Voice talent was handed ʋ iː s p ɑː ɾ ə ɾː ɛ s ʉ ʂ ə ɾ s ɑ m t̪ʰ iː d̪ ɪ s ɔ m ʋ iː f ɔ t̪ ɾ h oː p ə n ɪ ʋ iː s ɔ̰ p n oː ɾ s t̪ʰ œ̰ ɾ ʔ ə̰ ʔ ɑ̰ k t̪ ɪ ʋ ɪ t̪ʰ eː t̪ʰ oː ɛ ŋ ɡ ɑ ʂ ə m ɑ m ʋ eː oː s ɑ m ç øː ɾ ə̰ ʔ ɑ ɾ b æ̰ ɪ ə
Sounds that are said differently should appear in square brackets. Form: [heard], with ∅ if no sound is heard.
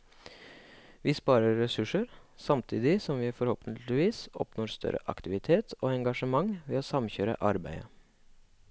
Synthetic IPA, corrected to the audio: ʋ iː s p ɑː ɾ ə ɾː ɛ s ʉ ʂ ə ɾ s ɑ m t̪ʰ iː d̪ ɪ s ɔ m ʋ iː f ɔ [∅] ɾ h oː p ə n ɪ ʋ iː s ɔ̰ p n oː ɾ s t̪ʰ œ̰ ɾ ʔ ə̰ ʔ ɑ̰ k t̪ ɪ ʋ ɪ t̪ʰ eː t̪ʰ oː ɛ ŋ ɡ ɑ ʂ ə m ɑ [ŋ] ʋ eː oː s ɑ m ç øː ɾ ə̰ ʔ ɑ ɾ b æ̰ ɪ ə

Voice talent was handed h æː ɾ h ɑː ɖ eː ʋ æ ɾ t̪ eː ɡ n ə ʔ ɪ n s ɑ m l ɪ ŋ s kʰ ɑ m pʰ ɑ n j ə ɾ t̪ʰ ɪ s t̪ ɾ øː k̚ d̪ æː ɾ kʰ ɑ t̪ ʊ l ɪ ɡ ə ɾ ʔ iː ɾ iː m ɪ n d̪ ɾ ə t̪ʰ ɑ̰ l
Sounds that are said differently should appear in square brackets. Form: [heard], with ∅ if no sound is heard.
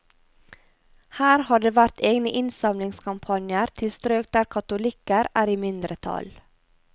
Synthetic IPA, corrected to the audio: h æː ɾ h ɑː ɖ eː ʋ æ ɾ t̪ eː ɡ n ə ʔ ɪ n s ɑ m l ɪ ŋ s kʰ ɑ m pʰ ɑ n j ə ɾ t̪ʰ ɪ s t̪ ɾ øː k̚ d̪ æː ɾ kʰ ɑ t̪ ʊ l ɪ [k] ə ɾ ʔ [æː] ɾ iː m ɪ n d̪ ɾ ə t̪ʰ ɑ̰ l

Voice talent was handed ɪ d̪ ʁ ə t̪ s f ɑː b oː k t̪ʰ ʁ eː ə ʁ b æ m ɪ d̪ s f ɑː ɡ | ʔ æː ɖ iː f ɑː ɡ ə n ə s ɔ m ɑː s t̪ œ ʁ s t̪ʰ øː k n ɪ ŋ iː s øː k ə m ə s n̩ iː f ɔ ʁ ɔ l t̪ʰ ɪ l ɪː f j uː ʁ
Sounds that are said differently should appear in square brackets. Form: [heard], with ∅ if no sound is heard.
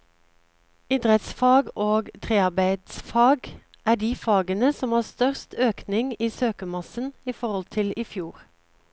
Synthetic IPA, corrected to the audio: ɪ d̪ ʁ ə t̪ s f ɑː [ɡ] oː [ɡ] t̪ʰ ʁ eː [ɑ] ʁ b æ [∅] ɪ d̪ s f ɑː ɡ | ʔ æː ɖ iː f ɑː ɡ ə n ə s ɔ m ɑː s t̪ œ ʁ s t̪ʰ øː k n ɪ ŋ iː s øː k ə m [ɑ] s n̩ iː f ɔ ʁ ɔ l t̪ʰ ɪ l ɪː f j uː ʁ

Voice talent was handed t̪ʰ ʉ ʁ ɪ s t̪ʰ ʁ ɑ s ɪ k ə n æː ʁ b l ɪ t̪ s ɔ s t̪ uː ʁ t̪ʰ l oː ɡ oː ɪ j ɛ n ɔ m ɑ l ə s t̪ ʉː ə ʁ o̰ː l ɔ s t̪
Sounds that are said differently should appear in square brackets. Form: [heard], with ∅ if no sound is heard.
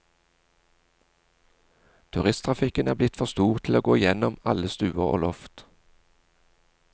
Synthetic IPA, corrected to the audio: t̪ʰ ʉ ʁ ɪ s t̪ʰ ʁ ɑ [f] ɪ k ə n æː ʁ b l ɪ t̪ [f] ɔ s t̪ uː ʁ t̪ʰ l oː ɡ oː ɪ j ɛ n ɔ m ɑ l ə s t̪ ʉː ə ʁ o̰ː l ɔ [f] t̪

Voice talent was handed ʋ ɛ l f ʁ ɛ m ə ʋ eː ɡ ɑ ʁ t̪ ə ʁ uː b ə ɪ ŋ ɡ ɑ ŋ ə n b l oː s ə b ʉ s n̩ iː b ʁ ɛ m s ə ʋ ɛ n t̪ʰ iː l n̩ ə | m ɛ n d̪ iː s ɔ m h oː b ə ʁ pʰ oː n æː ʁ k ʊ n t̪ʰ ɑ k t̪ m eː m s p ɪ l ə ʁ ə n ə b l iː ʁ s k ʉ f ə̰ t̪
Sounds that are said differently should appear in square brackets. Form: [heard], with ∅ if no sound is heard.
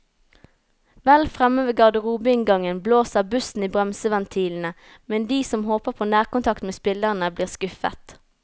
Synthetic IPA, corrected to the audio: ʋ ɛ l f ʁ ɛ m ə ʋ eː ɡ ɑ ʁ [d̪] ə ʁ uː b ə ɪ ŋ ɡ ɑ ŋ ə n b l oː s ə b ʉ s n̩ iː b ʁ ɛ m s ə ʋ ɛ n t̪ʰ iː l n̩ ə | m ɛ n d̪ iː s ɔ m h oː [p] ə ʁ pʰ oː n æː ʁ k ʊ n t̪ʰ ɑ k t̪ m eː [∅] s p ɪ l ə ʁ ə n ə b l iː ʁ s k ʉ f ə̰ t̪

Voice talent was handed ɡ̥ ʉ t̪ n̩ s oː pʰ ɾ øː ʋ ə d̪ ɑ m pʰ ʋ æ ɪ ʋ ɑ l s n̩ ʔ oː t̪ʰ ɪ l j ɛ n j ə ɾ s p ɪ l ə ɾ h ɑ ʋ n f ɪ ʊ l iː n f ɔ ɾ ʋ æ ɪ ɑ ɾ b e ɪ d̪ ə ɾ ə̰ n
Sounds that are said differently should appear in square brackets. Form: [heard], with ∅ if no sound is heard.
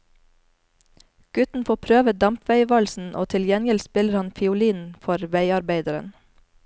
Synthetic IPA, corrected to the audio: ɡ̥ ʉ t̪ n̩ [f] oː pʰ ɾ øː ʋ ə d̪ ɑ m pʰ ʋ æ ɪ ʋ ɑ l s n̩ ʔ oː t̪ʰ ɪ l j ɛ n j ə [l] s p ɪ l ə ɾ h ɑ [∅] n f ɪ ʊ l iː n f ɔ ɾ ʋ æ ɪ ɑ ɾ b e ɪ d̪ ə ɾ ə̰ n

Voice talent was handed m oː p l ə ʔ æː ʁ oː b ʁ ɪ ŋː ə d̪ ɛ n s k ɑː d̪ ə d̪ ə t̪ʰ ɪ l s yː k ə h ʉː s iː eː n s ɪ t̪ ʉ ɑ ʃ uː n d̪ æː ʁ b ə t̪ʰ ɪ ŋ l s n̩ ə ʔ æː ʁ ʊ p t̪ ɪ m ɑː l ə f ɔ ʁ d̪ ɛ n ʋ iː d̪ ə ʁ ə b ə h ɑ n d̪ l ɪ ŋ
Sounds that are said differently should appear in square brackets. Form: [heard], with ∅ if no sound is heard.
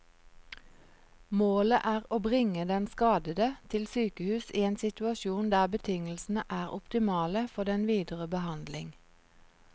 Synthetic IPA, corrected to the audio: m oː [∅] l ə ʔ æː ʁ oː b ʁ ɪ [ŋ] ə d̪ ɛ n s k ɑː d̪ ə d̪ ə t̪ʰ ɪ l s yː k ə h ʉː s iː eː n s ɪ t̪ ʉ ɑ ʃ uː n d̪ æː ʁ b ə t̪ʰ ɪ ŋ l s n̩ ə ʔ æː ʁ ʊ p t̪ ɪ m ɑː l ə f ɔ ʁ d̪ ɛ n ʋ iː d̪ ə ʁ ə b ə h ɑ n d̪ l ɪ ŋ

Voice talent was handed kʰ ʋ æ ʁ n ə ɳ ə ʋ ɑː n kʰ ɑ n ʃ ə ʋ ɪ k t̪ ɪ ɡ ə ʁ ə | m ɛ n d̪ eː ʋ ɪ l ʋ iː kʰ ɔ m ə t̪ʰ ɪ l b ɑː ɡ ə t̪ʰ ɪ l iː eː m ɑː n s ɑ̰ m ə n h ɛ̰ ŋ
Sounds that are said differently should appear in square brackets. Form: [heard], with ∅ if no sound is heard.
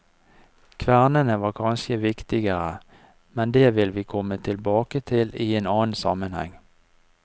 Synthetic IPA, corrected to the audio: kʰ ʋ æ ʁ n ə [n] ə ʋ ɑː [∅] kʰ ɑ n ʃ ə ʋ ɪ k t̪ ɪ ɡ ə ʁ ə | m ɛ n d̪ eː ʋ ɪ l ʋ iː kʰ ɔ m ə t̪ʰ ɪ l b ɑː [k] ə t̪ʰ ɪ l iː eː [n] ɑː n s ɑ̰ m ə n h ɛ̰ ŋ

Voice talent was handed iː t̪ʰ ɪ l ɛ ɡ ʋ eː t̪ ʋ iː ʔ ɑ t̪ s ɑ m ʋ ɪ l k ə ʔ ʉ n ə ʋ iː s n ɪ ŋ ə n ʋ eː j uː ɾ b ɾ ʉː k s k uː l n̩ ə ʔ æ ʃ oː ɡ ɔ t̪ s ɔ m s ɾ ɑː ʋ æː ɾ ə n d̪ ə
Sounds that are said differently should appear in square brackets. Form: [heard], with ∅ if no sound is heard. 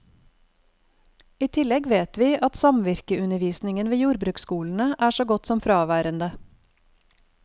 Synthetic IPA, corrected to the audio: iː t̪ʰ ɪ l ɛ ɡ ʋ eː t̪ ʋ iː ʔ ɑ t̪ s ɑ m ʋ ɪ [ɾ] k ə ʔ ʉ n ə ʋ iː s n ɪ ŋ ə n ʋ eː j uː ɾ b ɾ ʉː k s k uː l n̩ ə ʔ [æː] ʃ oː ɡ ɔ t̪ s ɔ m [f] ɾ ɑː ʋ æː ɾ ə n d̪ ə

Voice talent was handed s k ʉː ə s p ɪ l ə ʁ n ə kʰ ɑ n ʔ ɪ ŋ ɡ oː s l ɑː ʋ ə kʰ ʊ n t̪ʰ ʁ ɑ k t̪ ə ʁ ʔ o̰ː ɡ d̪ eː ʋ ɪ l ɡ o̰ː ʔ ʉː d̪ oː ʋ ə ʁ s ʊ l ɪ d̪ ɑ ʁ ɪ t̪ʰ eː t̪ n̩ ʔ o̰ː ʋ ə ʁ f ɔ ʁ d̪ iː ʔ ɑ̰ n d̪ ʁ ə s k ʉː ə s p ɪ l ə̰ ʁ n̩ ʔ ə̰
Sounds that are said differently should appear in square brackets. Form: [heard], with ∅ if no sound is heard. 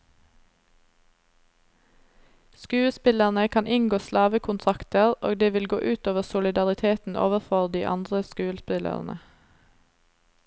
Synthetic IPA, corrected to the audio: s k ʉː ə s p ɪ l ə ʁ n ə kʰ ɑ n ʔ ɪ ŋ ɡ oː s l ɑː ʋ ə kʰ ʊ n t̪ʰ ʁ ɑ k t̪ ə ʁ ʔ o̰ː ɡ d̪ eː ʋ ɪ l ɡ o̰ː ʔ ʉː [t̪] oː ʋ ə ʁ s ʊ l ɪ d̪ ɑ ʁ ɪ t̪ʰ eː t̪ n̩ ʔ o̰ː ʋ ə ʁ f ɔ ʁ d̪ iː ʔ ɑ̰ n d̪ ʁ ə s k ʉː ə s p ɪ l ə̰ ʁ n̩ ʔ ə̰

